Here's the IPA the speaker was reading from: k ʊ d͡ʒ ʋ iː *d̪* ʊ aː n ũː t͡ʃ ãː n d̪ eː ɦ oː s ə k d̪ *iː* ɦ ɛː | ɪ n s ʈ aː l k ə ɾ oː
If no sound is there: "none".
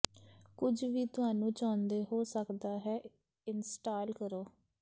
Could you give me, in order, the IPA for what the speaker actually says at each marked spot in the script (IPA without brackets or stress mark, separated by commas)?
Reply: t̪, aː